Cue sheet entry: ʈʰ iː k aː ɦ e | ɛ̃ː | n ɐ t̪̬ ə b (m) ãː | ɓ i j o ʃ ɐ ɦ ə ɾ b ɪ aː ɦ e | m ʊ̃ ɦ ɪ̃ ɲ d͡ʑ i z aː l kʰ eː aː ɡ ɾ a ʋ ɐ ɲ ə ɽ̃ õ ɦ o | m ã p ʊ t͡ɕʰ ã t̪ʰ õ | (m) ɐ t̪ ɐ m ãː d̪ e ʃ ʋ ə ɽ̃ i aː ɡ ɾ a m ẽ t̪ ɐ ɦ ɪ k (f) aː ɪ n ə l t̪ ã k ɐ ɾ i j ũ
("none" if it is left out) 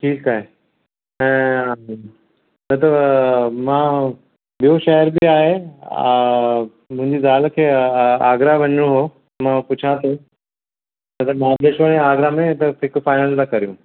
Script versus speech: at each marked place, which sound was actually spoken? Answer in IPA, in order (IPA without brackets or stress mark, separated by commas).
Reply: m, n, f